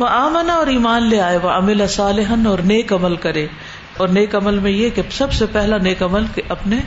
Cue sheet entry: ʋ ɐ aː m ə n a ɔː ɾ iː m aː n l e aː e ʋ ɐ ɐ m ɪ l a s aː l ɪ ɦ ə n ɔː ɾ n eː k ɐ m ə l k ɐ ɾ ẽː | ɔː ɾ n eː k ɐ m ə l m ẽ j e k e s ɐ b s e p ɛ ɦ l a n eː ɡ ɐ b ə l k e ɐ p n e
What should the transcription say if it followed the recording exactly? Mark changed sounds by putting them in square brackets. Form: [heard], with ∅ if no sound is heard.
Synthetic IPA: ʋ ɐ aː m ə n a ɔː ɾ iː m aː n l e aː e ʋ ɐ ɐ m ɪ l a s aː l ɪ ɦ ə n ɔː ɾ n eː k ɐ m ə l k ɐ ɾ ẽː | ɔː ɾ n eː k ɐ m ə l m ẽ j e k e s ɐ b s e p ɛ ɦ l a n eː [k] ɐ [m] ə l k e ɐ p n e